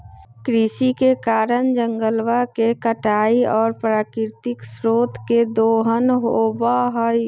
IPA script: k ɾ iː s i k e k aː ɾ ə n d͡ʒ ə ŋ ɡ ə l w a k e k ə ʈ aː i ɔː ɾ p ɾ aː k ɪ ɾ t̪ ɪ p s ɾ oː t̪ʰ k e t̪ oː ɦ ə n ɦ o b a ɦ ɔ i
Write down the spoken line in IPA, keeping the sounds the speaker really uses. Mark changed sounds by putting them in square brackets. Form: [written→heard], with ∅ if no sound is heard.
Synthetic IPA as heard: k ɾ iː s i k e k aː ɾ ə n d͡ʒ ə ŋ ɡ ə l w a k e k ə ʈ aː i ɔː ɾ p ɾ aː k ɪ ɾ t̪ ɪ [p→k] s ɾ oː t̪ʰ k e [t̪→d̪] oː ɦ ə n ɦ o b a ɦ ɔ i